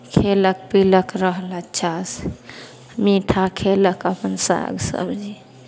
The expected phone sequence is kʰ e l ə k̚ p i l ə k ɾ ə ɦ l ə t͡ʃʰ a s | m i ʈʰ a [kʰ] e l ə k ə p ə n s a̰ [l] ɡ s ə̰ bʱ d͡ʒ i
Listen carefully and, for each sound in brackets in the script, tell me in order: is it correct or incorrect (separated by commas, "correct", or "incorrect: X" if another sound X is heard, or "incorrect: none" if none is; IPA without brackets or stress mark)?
correct, incorrect: none